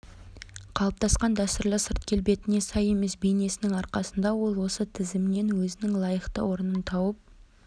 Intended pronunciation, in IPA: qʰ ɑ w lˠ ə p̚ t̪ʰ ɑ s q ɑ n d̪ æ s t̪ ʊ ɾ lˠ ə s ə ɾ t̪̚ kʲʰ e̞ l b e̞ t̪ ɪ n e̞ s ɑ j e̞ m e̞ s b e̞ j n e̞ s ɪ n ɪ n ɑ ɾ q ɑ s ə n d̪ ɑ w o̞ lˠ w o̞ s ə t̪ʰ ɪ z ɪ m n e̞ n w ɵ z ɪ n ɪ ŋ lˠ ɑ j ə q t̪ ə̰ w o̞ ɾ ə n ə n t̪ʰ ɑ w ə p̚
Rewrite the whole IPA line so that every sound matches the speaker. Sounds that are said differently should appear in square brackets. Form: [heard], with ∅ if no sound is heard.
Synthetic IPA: qʰ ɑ [∅] lˠ ə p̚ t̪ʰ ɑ s q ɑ n d̪ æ s t̪ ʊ ɾ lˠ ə s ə ɾ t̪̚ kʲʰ e̞ l b e̞ t̪ ɪ n e̞ s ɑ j e̞ m e̞ s b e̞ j n e̞ s ɪ n ɪ [ŋ] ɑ ɾ q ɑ s ə n d̪ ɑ w o̞ lˠ w o̞ s ə t̪ʰ ɪ z ɪ m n e̞ n w ɵ z ɪ n ɪ ŋ lˠ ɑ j ə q t̪ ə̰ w o̞ ɾ ə n ə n t̪ʰ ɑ w ə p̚